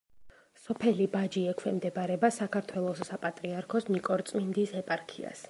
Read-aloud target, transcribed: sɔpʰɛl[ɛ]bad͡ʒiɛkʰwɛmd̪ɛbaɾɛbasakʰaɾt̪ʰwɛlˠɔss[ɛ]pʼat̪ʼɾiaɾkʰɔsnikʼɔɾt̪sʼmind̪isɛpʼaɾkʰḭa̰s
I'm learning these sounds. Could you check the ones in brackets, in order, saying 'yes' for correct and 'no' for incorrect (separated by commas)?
no, no